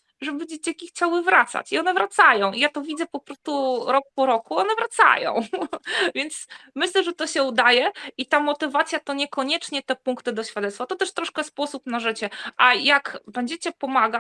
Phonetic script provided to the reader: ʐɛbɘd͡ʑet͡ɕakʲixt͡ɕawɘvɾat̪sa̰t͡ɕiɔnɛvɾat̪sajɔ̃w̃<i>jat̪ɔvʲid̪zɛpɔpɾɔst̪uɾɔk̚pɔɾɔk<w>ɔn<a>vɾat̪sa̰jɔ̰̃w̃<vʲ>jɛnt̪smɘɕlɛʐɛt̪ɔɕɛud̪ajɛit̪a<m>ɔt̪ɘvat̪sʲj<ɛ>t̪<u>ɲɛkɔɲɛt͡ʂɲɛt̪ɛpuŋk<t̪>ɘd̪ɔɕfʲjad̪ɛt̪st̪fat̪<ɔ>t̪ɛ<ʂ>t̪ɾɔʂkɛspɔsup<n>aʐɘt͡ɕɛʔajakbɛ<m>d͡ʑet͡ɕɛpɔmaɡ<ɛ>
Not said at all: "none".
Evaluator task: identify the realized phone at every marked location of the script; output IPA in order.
i, u, ɛ, vʲ, m, a, ɔ, t̪, ɔ, ʂ, n, ɲ, a

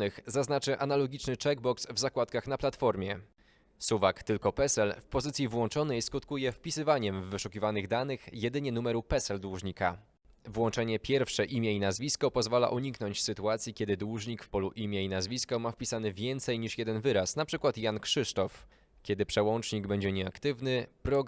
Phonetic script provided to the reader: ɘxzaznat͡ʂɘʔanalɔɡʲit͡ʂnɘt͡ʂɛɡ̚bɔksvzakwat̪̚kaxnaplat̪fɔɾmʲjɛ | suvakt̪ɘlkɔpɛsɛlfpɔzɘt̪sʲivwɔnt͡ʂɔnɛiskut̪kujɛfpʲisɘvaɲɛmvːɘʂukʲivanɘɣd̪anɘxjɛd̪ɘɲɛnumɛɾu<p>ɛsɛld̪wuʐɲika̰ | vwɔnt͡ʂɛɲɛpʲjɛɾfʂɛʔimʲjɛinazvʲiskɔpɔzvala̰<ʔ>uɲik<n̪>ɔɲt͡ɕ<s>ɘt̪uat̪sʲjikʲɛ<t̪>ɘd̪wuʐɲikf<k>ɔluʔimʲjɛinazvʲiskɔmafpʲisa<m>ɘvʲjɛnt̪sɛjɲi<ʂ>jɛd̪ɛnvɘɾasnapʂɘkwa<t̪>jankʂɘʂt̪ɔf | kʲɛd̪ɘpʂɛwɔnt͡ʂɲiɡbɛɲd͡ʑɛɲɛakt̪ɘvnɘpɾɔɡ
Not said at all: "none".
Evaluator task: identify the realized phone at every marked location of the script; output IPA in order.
p, ʔ, n̪, s, d̪, p, n, ʂ, t̪

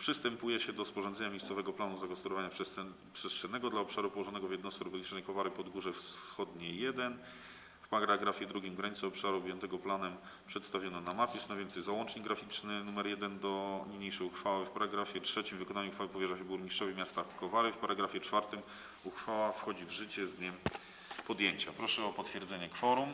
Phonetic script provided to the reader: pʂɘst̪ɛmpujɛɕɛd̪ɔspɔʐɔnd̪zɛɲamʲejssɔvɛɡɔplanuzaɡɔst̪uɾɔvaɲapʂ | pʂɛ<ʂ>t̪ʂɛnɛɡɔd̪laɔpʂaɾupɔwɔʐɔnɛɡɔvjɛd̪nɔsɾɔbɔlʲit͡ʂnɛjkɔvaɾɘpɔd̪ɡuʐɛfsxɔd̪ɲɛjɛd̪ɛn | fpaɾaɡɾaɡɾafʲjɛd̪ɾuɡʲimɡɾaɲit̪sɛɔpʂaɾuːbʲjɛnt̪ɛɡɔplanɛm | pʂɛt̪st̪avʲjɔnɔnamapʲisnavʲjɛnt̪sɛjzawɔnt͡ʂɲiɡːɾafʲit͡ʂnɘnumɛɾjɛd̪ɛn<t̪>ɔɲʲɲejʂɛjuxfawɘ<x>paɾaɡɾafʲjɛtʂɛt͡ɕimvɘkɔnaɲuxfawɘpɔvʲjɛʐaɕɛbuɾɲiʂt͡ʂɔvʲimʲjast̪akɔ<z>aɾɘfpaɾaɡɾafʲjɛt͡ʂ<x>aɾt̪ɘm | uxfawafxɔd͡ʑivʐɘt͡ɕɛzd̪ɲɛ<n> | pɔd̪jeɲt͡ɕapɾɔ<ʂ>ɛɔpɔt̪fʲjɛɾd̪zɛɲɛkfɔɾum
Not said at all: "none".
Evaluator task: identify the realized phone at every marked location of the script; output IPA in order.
s, d̪, f, v, f, m, ʂ

